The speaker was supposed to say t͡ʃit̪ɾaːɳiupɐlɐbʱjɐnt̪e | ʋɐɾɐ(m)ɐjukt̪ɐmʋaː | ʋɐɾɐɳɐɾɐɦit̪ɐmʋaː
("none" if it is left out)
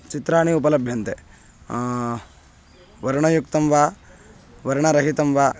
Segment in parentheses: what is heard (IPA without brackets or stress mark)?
ɳ